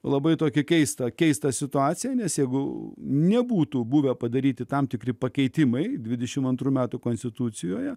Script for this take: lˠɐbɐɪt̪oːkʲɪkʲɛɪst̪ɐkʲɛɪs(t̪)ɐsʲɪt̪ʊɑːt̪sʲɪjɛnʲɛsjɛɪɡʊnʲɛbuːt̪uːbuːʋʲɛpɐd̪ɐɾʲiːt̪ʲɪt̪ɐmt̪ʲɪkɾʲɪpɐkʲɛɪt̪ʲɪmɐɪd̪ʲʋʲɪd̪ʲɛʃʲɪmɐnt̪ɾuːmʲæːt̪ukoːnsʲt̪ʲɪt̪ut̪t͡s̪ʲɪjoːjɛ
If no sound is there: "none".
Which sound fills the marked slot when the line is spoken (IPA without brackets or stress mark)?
t̪